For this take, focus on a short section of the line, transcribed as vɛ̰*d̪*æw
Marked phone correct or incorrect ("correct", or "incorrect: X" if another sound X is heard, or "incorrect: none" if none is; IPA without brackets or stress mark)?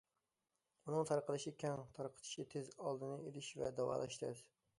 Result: correct